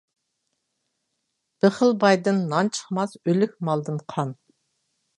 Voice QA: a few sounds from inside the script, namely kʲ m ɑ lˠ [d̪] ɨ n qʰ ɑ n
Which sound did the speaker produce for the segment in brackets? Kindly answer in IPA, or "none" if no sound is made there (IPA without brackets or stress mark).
d̪